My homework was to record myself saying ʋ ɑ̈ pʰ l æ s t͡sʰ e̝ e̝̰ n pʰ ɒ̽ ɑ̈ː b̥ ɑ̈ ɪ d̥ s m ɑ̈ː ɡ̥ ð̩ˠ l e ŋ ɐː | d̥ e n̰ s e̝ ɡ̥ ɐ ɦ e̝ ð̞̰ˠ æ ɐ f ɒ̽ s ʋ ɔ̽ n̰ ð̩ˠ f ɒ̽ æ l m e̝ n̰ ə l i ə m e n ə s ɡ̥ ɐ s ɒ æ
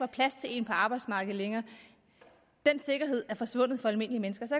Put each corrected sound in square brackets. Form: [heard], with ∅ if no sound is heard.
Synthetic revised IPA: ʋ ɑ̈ pʰ l æ s t͡sʰ e̝ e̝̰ n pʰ ɒ̽ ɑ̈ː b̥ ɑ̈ ɪ d̥ s m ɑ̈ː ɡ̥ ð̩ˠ l e ŋ ɐː | d̥ e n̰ s e̝ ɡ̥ ɐ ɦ e̝ ð̞̰ˠ æ ɐ f ɒ̽ s ʋ ɔ̽ n̰ ð̩ˠ f ɒ̽ æ l m e̝ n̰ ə l i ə m e n ə s ɡ̥ ɐ s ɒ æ